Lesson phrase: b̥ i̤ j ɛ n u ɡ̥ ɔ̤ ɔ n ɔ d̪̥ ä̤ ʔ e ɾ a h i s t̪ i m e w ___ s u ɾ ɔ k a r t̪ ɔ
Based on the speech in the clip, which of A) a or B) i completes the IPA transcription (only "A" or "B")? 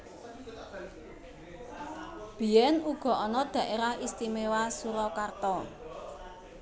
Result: A